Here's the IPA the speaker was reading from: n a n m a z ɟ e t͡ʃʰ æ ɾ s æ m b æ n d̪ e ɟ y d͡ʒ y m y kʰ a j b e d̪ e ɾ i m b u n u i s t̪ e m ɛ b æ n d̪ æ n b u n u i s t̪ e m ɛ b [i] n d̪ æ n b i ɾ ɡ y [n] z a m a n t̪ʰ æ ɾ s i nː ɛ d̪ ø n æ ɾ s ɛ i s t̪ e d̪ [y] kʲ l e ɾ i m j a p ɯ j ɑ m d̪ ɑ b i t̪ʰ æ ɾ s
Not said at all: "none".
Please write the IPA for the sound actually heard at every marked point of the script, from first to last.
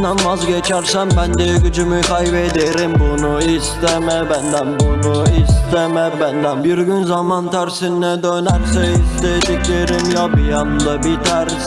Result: æ, n, i

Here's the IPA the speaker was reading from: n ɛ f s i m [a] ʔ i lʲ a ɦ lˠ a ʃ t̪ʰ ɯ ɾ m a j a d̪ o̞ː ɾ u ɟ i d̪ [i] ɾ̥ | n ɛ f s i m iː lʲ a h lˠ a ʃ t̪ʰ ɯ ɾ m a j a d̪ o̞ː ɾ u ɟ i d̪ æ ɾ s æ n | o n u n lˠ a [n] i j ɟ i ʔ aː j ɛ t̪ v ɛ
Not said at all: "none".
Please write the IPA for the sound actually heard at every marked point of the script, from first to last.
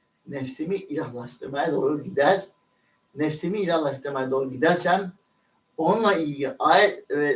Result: i, æ, none

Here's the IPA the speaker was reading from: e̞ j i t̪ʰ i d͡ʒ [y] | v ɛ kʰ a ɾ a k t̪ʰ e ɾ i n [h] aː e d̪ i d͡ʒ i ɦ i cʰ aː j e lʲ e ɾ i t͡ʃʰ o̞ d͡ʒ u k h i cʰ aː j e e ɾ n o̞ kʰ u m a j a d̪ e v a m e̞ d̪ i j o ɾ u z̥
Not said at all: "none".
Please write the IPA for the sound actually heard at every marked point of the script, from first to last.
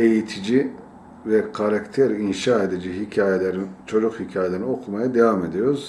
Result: i, ʃ

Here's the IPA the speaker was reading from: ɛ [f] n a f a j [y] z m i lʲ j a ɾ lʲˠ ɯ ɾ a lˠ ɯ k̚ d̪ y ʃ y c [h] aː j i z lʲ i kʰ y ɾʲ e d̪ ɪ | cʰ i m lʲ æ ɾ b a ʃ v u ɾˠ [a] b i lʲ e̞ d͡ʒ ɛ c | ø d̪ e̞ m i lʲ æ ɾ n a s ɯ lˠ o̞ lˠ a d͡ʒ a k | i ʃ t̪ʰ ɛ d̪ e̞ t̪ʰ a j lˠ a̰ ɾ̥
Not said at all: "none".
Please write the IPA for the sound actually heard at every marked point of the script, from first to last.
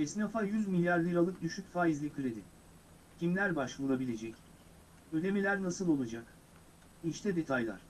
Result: s, y, f, a

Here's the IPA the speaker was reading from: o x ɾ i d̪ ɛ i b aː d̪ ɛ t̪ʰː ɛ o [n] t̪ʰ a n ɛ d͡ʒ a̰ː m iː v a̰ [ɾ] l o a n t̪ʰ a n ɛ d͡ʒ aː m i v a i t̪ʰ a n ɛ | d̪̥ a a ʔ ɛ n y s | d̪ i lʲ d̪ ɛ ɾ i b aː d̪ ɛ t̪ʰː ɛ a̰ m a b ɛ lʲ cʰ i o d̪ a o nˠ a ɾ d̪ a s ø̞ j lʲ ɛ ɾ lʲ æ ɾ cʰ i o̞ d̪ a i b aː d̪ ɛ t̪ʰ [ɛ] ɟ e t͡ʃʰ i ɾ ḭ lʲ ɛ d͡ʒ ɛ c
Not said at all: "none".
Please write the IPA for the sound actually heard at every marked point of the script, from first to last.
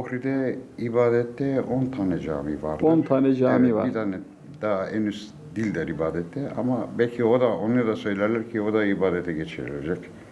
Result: n, ɾ, ɛ

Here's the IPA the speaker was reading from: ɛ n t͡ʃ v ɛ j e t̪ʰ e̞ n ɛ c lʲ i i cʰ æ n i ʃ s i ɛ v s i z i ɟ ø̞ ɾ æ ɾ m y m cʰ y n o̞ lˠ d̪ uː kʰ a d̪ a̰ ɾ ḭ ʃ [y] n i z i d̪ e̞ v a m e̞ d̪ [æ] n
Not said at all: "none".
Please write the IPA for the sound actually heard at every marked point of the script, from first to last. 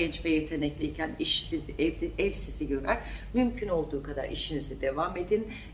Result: i, i

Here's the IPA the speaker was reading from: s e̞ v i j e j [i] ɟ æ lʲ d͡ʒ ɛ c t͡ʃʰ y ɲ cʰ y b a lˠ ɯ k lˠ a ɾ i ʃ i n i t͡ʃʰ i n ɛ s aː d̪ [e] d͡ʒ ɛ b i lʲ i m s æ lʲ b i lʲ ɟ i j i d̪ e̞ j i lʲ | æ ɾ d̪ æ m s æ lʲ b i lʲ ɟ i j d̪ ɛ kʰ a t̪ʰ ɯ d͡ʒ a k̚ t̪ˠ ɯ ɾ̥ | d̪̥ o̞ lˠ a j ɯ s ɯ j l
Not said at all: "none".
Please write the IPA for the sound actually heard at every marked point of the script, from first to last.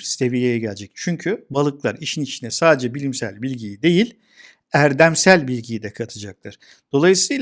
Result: ɛ, e

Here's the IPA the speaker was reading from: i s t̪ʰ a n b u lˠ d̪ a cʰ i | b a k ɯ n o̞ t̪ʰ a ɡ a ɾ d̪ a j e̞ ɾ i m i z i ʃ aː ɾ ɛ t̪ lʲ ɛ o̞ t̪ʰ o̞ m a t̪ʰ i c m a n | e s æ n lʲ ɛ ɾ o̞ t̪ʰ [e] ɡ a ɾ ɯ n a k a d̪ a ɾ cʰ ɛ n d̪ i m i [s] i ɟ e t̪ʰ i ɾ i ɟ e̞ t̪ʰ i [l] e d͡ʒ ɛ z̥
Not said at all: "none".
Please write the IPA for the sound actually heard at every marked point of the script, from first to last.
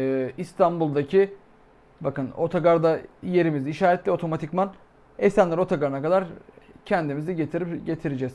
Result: a, z, ɾ

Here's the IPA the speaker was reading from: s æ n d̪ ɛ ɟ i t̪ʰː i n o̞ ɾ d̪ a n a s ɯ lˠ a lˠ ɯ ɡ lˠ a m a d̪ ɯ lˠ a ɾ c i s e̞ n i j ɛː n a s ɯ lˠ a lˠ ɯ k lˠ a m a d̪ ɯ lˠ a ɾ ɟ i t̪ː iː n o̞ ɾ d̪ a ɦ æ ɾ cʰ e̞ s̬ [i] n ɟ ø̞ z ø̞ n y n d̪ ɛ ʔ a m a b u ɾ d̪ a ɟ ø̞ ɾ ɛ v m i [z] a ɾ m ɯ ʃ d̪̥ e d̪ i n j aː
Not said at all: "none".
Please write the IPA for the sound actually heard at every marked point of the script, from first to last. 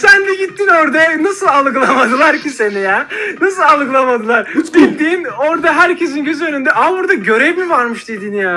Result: i, v

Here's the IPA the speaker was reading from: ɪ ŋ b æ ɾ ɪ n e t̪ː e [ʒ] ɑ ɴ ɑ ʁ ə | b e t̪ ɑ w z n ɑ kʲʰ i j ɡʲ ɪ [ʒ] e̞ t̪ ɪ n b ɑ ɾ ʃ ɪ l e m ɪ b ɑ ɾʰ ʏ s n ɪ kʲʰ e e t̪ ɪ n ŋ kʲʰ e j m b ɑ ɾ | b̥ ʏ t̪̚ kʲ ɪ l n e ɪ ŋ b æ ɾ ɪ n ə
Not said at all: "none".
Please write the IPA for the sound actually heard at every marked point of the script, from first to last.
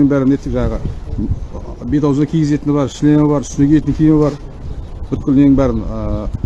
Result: ʒ, z

